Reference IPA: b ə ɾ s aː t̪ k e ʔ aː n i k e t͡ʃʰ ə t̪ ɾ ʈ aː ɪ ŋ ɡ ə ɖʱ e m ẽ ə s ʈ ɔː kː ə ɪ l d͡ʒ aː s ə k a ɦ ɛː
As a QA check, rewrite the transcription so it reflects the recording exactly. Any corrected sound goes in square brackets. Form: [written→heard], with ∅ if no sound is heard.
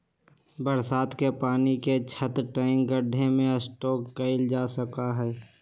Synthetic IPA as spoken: b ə ɾ s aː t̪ k e [ʔ→p] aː n i k e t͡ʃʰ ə t̪ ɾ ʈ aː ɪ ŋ ɡ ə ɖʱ e m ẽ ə s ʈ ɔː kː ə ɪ l d͡ʒ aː s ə k a ɦ ɛː